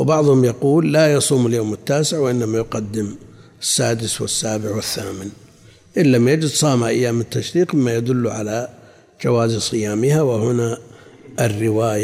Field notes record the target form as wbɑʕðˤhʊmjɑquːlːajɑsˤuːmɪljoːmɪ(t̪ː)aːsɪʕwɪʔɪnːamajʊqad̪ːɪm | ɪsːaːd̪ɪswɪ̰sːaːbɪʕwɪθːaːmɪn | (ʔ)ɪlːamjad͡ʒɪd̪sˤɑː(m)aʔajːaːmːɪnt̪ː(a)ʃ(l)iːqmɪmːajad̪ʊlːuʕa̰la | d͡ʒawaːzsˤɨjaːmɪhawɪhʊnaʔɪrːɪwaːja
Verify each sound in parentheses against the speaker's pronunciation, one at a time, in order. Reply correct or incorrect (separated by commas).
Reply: correct, correct, correct, correct, incorrect